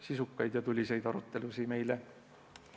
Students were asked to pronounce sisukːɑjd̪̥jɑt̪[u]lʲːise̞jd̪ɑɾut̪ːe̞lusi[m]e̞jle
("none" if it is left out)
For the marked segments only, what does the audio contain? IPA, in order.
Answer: u, m

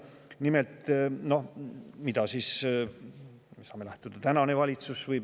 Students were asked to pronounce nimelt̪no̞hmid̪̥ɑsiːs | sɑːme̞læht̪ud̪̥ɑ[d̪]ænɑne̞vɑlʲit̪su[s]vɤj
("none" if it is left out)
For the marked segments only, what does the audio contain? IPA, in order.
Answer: t̪, s

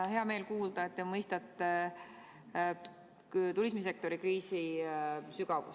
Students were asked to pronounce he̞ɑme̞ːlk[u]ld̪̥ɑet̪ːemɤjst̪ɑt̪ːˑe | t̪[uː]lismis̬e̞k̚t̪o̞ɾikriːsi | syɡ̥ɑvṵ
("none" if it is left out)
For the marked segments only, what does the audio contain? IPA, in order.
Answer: uː, u

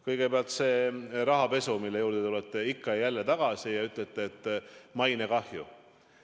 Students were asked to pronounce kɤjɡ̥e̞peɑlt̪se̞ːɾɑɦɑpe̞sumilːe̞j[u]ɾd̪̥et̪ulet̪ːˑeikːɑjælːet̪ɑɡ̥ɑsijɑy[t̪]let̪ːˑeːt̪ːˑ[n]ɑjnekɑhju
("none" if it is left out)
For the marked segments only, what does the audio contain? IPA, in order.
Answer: uː, t̪, m

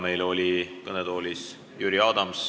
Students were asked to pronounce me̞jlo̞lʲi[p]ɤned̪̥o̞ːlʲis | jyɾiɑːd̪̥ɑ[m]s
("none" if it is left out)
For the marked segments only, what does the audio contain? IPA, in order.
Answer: k, m

